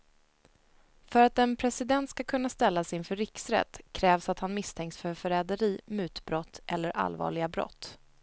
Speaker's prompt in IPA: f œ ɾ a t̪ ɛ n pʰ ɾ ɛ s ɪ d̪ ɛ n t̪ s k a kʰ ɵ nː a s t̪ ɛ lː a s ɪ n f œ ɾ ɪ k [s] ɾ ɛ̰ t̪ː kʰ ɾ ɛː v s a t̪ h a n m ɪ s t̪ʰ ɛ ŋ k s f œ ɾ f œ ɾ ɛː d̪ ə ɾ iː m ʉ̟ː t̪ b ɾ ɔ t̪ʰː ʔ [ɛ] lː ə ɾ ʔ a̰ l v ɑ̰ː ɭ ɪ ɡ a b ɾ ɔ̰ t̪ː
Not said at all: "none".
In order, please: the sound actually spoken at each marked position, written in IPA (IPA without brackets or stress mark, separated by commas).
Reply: s, ɛ